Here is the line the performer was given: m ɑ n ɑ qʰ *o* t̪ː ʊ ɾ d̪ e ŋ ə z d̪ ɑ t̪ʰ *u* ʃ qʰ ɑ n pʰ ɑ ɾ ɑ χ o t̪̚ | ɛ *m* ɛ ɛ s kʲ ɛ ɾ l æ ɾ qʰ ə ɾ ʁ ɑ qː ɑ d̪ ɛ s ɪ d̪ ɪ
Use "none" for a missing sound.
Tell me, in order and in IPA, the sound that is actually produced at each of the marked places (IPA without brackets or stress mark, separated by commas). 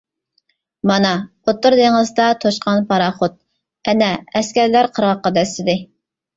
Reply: o, o, n